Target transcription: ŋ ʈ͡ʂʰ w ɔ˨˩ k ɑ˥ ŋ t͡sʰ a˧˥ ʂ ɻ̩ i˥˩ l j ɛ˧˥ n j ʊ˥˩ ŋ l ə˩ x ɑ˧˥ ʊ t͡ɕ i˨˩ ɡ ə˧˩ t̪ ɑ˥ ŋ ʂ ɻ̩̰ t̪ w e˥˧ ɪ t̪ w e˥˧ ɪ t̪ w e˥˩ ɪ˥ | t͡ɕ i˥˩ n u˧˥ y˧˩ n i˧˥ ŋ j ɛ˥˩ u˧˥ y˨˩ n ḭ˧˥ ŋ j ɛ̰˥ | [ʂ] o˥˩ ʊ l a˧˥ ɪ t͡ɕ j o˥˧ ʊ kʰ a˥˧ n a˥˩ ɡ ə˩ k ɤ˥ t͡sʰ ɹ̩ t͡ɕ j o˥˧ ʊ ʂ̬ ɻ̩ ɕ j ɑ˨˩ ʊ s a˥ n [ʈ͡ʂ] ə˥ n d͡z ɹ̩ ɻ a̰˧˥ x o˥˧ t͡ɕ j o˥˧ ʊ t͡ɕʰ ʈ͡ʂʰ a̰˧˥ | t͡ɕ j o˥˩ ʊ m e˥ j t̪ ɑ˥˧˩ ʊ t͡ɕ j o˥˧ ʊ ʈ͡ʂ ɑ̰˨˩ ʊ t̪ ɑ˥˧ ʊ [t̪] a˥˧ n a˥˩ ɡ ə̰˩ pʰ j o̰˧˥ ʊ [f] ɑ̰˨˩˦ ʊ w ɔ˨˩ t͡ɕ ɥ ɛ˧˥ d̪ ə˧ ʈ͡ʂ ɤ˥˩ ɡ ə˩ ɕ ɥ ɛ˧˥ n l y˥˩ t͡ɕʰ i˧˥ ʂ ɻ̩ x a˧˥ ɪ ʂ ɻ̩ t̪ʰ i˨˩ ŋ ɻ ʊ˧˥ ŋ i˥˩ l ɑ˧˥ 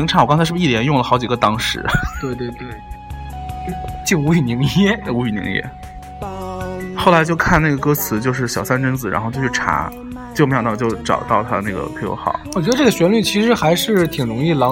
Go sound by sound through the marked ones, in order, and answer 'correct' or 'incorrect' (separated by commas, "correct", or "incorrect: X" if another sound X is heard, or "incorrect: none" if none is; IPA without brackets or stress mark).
incorrect: x, correct, incorrect: t̪ʰ, incorrect: x